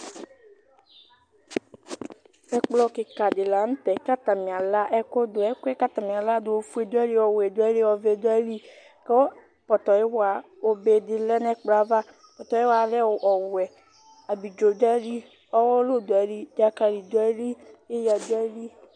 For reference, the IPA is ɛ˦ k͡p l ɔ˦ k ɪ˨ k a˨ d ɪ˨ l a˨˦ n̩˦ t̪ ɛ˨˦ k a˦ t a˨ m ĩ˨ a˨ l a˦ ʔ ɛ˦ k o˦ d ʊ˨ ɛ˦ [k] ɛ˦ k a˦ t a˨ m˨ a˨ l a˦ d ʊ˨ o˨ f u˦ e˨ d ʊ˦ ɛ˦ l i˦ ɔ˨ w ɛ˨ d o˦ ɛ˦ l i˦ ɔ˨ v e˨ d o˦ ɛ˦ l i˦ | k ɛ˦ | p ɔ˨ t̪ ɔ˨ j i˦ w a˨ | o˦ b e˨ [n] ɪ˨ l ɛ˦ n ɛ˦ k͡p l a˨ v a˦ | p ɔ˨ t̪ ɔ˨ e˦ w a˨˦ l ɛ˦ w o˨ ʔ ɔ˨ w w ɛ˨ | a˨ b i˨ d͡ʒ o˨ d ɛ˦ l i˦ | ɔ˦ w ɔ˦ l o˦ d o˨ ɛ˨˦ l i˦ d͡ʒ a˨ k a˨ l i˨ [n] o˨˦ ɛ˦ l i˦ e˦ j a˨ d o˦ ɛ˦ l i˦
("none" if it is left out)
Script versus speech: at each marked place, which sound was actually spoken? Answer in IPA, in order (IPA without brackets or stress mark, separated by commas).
k, d, d